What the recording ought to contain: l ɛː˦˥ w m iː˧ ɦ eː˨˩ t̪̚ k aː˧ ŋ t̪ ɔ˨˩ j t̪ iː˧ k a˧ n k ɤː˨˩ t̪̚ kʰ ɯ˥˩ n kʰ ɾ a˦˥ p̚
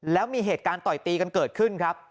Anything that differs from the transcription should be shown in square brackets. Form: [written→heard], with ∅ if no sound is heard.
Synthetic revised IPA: l ɛː˦˥ w m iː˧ ɦ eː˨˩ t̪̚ k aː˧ [ŋ→n] t̪ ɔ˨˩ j t̪ iː˧ k a˧ n k ɤː˨˩ t̪̚ kʰ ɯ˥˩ n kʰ ɾ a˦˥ p̚